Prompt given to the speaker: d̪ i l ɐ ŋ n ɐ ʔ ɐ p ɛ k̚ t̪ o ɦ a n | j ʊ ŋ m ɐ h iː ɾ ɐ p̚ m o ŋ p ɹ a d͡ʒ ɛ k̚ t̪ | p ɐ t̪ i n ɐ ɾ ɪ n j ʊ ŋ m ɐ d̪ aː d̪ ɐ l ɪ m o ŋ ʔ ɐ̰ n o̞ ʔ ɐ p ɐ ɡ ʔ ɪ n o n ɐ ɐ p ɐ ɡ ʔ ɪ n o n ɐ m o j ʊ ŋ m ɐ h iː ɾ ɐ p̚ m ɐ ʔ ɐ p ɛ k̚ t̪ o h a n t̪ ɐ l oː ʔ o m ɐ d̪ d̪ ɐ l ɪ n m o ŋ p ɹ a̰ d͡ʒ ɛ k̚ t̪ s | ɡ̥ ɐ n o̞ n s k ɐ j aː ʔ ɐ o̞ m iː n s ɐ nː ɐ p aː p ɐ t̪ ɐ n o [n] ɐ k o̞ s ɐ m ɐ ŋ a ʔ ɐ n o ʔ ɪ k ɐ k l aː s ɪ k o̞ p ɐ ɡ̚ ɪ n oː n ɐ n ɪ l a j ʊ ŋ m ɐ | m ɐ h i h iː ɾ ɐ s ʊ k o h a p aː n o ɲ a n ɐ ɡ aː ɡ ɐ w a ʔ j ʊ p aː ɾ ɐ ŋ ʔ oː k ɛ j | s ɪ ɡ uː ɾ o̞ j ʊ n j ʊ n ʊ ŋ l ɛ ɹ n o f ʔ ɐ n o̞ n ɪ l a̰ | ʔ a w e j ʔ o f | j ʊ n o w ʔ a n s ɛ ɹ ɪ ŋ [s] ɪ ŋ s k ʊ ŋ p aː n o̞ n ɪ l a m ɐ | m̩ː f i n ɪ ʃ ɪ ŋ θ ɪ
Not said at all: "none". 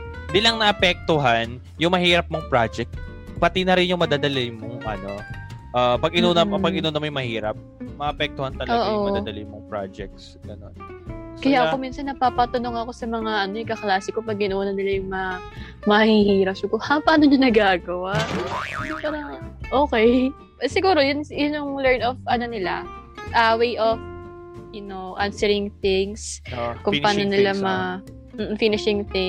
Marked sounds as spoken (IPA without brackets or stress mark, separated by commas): ŋ, θ